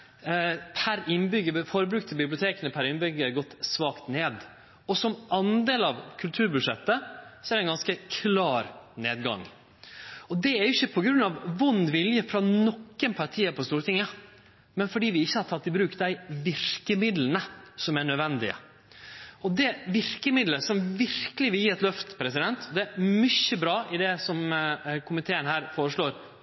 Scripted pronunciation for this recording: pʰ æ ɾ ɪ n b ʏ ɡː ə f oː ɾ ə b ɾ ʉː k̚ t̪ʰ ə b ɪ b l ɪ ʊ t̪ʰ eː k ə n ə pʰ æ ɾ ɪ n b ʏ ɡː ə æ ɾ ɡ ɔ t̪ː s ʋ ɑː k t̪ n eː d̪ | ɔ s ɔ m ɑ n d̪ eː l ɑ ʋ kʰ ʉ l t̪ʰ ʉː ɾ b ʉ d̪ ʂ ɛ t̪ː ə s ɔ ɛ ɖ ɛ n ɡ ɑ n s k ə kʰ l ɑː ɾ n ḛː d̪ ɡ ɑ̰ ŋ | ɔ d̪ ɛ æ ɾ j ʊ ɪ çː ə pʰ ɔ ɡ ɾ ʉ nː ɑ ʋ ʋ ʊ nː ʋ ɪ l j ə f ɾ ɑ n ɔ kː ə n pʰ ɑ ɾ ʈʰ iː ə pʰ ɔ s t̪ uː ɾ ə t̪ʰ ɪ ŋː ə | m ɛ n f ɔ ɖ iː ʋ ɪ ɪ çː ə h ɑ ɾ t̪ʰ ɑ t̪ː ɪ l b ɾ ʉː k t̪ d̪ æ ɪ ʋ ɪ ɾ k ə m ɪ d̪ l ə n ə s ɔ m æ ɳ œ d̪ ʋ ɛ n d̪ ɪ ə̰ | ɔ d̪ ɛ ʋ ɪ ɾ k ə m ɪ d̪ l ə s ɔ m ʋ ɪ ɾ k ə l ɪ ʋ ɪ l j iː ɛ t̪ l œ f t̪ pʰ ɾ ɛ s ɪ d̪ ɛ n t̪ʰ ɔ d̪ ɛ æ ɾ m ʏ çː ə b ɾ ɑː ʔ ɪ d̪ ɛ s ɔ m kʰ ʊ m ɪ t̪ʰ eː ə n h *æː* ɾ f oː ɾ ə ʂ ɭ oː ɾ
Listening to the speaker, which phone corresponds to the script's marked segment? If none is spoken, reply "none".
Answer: æː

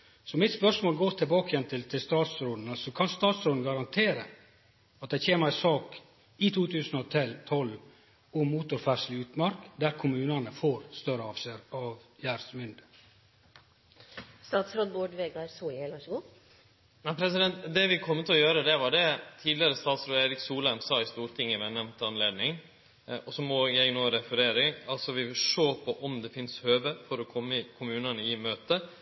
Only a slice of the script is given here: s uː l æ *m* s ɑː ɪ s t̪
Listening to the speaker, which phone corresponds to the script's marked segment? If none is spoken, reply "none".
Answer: m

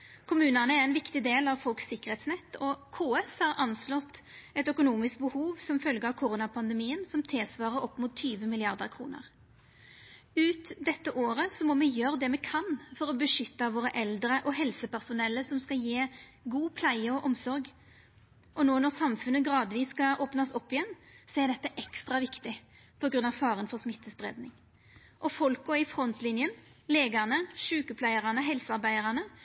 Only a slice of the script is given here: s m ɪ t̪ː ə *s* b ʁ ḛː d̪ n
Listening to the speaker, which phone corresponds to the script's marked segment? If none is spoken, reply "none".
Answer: s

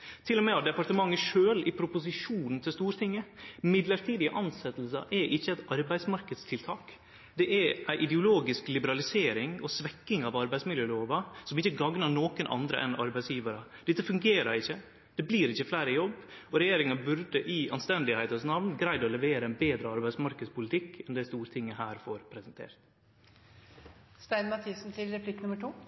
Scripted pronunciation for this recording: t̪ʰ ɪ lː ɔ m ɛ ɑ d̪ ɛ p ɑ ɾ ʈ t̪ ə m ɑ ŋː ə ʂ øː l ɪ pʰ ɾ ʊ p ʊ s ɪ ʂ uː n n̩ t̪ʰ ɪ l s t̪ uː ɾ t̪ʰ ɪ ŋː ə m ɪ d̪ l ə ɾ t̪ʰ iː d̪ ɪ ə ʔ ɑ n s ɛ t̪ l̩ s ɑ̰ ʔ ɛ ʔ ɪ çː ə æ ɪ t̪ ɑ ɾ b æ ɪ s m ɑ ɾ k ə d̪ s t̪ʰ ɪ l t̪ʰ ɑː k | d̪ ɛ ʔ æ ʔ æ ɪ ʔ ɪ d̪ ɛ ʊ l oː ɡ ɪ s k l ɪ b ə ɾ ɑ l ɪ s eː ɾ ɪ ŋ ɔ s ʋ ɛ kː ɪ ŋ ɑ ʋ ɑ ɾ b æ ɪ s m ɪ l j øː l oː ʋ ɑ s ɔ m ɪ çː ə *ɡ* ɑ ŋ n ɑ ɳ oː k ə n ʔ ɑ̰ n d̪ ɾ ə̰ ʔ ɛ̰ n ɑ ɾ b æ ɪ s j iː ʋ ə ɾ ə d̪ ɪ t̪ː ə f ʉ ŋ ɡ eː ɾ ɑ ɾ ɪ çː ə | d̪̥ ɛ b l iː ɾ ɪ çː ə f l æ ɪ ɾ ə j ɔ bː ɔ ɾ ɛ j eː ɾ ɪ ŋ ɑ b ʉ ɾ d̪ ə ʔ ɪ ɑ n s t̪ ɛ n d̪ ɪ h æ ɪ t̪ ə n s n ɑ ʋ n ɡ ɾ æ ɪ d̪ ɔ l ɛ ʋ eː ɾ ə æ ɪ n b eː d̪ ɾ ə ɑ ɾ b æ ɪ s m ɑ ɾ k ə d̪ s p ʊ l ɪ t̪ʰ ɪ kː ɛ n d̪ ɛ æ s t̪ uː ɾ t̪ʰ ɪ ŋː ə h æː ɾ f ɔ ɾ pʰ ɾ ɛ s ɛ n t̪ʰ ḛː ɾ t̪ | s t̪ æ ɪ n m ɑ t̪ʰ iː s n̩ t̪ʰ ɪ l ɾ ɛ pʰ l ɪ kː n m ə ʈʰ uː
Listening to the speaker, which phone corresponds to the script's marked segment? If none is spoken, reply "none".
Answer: ɡ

